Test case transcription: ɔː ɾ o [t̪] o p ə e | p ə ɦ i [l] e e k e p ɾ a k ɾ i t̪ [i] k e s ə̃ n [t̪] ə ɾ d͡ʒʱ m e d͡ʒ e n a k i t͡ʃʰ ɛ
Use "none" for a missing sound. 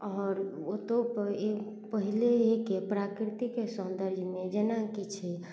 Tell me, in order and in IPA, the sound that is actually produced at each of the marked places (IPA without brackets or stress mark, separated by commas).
t̪, l, i, d̪